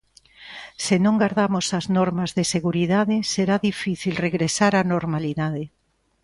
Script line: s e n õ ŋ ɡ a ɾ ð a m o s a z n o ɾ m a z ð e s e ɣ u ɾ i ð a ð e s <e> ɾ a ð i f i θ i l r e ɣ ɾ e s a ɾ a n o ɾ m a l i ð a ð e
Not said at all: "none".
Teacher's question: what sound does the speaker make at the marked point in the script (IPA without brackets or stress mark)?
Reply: e